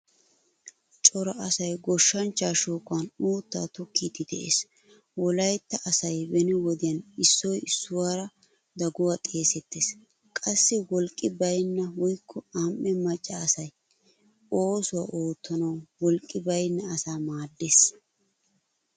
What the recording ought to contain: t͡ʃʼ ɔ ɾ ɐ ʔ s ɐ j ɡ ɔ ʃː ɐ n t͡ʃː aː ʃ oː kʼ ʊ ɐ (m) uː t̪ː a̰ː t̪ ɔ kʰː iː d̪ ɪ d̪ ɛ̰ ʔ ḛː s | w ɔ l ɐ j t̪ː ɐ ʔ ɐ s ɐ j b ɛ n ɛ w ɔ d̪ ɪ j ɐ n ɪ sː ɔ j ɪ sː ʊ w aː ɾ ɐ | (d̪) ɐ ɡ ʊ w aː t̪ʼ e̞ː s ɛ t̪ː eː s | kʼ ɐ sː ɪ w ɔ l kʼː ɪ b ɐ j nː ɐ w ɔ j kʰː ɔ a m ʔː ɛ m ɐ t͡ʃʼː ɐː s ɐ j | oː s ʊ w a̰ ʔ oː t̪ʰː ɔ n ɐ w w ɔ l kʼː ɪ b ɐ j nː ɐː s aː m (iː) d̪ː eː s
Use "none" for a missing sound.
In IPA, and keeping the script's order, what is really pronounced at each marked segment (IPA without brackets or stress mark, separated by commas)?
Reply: n, d̪, aː